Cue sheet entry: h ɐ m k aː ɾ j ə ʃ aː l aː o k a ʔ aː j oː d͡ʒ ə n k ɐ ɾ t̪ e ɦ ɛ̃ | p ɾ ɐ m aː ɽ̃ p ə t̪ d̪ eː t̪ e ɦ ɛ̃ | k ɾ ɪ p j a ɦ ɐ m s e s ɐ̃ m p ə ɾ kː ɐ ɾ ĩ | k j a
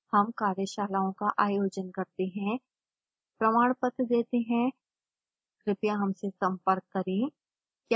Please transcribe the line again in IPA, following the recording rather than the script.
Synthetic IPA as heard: h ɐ m k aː ɾ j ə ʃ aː l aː õ k a ʔ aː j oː d͡ʒ ə n k ɐ ɾ t̪ e ɦ ɛ̃ | p ɾ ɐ m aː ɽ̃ p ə t̪ d̪ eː t̪ e ɦ ɛ̃ | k ɾ ɪ p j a ɦ ɐ m s e s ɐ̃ m p ə ɾ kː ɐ ɾ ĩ | k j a